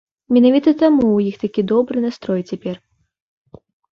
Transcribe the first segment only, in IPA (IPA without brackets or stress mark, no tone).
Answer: mʲ